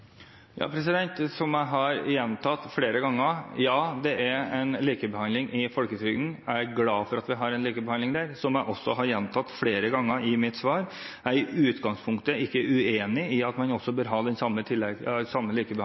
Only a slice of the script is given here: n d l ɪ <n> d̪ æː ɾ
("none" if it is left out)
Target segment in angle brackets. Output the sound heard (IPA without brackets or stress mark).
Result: ŋ